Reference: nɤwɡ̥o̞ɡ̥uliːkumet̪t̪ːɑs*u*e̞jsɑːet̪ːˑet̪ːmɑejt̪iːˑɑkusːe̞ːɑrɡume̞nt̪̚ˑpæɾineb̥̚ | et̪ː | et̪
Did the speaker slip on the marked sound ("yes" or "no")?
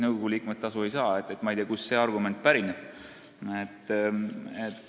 no